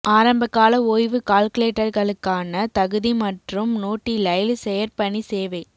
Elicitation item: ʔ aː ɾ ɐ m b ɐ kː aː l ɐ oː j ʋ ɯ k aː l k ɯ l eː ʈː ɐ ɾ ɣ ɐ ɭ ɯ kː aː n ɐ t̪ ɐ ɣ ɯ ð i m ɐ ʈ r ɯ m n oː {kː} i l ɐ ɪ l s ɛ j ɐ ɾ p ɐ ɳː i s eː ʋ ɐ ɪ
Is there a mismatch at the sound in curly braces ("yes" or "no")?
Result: yes